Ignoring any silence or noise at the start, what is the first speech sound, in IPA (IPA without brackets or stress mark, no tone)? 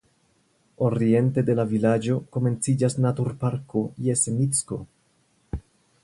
o̞